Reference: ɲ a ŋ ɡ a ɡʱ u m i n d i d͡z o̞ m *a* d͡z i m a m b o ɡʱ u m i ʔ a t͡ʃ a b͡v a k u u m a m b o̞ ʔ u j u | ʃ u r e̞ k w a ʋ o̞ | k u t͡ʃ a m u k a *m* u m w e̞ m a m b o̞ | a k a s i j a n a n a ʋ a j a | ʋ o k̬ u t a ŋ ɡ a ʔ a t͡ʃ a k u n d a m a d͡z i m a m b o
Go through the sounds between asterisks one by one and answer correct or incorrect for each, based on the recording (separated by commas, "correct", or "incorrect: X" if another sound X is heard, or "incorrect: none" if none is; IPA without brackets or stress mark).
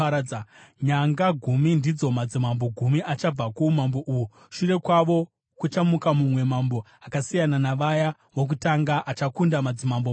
correct, correct